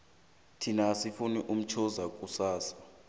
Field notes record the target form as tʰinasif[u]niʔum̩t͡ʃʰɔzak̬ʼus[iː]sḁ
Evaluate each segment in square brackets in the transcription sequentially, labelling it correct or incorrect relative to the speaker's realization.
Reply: correct, incorrect

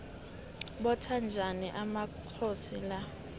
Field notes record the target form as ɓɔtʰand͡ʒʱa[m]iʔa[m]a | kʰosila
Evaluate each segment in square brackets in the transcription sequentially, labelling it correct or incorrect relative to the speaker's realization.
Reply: incorrect, correct

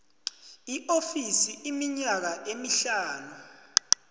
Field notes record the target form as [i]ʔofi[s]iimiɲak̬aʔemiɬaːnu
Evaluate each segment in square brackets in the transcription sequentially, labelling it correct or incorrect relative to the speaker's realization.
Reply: correct, correct

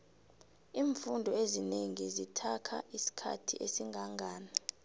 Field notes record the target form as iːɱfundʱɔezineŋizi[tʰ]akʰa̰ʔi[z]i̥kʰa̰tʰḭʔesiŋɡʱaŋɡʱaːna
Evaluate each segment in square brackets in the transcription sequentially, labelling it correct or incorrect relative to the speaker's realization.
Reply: correct, incorrect

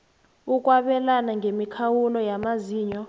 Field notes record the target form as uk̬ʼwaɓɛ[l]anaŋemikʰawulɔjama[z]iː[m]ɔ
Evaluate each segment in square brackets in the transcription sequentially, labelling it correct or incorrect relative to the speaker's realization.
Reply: correct, correct, incorrect

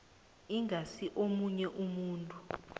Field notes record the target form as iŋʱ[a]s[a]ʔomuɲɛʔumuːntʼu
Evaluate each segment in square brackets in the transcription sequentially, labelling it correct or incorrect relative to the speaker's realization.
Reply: correct, incorrect

